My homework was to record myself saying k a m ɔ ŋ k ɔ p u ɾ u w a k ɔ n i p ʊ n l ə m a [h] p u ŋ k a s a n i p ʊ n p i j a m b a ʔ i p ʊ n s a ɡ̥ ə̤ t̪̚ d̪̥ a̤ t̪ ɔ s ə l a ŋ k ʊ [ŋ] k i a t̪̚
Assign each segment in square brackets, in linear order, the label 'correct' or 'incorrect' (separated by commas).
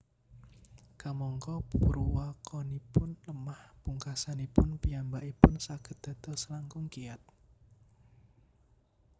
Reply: correct, correct